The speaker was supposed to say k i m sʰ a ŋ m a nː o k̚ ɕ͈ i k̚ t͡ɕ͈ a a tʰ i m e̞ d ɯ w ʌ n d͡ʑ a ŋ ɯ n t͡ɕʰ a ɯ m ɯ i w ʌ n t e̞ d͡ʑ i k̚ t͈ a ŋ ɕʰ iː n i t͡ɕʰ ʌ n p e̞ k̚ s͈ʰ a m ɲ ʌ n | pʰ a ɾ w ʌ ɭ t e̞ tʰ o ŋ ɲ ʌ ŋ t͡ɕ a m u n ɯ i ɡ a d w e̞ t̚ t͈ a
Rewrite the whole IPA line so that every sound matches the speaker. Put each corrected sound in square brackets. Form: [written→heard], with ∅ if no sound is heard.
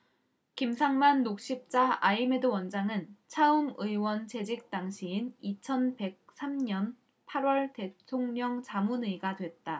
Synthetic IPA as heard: k i m sʰ a ŋ m a nː o k̚ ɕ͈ i [k̚→p̚] t͡ɕ͈ a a [tʰ→∅] i m e̞ d ɯ w ʌ n d͡ʑ a ŋ ɯ n t͡ɕʰ a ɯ m ɯ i w ʌ n [t→t͡ɕ] e̞ d͡ʑ i k̚ t͈ a ŋ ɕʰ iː n i t͡ɕʰ ʌ n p e̞ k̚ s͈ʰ a m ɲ ʌ n | pʰ a ɾ w ʌ ɭ t e̞ tʰ o ŋ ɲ ʌ ŋ t͡ɕ a m u n ɯ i ɡ a d w e̞ t̚ t͈ a